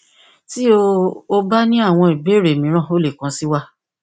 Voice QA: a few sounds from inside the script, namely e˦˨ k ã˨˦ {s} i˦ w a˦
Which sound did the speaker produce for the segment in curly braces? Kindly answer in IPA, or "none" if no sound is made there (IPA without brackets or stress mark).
s